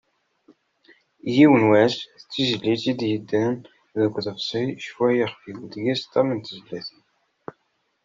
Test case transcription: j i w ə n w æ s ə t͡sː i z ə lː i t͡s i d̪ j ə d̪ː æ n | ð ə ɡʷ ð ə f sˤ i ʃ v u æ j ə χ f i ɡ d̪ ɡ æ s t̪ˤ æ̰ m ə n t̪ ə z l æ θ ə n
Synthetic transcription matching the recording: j i w ə n w æ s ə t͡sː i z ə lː i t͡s i d̪ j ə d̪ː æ n | ð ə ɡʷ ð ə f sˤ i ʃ f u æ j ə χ f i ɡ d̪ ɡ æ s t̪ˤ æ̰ m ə n t̪ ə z l æ θ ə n

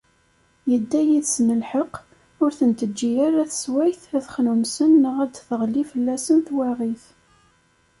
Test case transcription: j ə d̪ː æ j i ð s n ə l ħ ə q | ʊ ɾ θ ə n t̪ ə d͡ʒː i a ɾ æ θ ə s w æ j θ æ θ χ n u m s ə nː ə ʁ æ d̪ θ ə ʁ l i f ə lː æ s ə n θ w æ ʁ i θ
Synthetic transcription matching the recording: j ə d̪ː æ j i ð s n ə l ħ ə q | ʊ ɾ θ ə n t̪ ə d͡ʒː i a ɾ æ θ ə s w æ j θ æ θ χ n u m s ə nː ə ʁ æ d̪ θ ə ʁ l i f ə lː æ s ə n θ w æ ʁ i θ

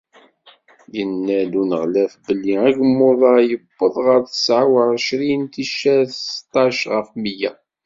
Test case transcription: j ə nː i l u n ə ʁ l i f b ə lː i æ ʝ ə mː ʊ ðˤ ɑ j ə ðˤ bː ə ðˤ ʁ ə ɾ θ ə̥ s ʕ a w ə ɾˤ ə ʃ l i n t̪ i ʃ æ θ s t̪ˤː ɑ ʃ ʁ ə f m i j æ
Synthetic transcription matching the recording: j ə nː æ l u n ə ʁ l æ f b ə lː i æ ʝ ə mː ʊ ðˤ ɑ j ə bː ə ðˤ ʁ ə ɾ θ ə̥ s ʕ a w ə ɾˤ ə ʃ ɾ i n t̪ i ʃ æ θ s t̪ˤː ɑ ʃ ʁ ə f m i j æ

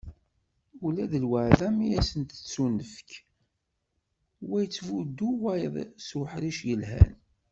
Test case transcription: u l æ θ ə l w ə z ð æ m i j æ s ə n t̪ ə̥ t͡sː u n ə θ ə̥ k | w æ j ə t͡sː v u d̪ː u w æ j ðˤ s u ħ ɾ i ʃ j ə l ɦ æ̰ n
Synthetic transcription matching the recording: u l æ ð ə l w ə ʕ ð æ m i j æ s ə n t̪ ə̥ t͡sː u n ə f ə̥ k | w æ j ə t͡sː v u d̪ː u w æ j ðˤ s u ħ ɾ i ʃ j ə l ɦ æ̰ n

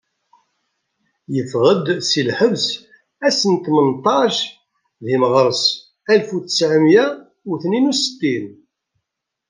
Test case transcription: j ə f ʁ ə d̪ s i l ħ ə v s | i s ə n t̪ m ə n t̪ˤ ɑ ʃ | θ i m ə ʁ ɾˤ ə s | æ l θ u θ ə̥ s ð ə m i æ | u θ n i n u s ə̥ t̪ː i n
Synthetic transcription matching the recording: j ə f ʁ ə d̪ s i l ħ ə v s | æ s ə n t̪ m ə n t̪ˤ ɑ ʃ | ð i m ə ʁ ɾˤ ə s | æ l f u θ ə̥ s ʕ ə m j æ | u θ n i n u s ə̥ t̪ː i n

